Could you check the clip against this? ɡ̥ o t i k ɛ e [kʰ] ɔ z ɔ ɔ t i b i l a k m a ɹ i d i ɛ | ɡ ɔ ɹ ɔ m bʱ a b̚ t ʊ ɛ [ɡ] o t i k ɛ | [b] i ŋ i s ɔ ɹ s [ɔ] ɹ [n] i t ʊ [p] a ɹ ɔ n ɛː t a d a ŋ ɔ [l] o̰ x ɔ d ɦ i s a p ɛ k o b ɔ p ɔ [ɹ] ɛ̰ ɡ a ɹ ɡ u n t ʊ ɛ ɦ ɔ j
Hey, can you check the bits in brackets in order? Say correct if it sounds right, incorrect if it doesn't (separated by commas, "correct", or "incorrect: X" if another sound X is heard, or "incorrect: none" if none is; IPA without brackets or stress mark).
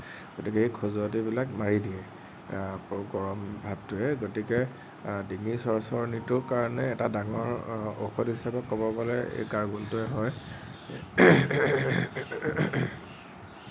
correct, correct, incorrect: d, correct, correct, incorrect: k, incorrect: ɹ, incorrect: l